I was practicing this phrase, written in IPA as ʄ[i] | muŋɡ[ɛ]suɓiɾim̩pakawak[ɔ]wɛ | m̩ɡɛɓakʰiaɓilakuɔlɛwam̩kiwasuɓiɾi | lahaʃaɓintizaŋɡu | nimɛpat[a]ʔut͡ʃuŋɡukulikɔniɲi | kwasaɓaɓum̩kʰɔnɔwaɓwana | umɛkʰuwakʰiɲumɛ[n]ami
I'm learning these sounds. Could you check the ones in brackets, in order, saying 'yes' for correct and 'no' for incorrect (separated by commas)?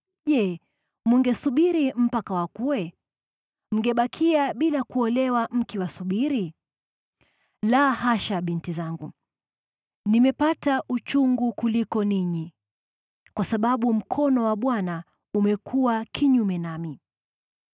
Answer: no, yes, no, yes, yes